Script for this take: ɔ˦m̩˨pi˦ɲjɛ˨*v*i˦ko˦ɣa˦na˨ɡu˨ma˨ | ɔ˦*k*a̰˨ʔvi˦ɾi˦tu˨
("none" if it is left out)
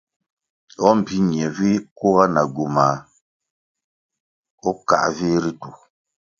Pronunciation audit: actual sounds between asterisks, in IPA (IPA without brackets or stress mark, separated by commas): v, k